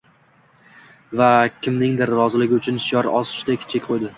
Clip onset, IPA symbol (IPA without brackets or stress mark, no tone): v